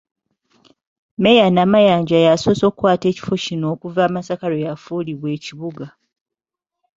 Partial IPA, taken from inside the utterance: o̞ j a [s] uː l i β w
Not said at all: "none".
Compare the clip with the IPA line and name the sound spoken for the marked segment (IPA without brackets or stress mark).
f